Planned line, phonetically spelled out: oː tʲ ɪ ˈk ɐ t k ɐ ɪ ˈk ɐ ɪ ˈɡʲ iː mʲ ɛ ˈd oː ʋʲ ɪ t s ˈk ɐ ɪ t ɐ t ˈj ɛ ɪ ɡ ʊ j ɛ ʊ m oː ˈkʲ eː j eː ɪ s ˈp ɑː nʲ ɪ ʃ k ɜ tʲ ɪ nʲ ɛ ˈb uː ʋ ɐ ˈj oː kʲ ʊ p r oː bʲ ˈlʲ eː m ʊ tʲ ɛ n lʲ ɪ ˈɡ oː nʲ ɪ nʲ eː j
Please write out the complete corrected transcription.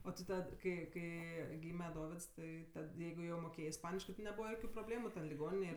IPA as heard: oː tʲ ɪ ˈt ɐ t k ɐ ɪ ˈk ɐ ɪ ˈɡʲ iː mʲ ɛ ˈd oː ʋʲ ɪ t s ˈt ɐ ɪ t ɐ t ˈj ɛ ɪ ɡ ʊ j ɛ ʊ m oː ˈkʲ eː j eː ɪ s ˈp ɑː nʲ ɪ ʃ k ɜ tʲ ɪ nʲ ɛ ˈb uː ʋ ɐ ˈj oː kʲ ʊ p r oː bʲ ˈlʲ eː m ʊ tʲ ɛ n lʲ ɪ ˈɡ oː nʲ ɪ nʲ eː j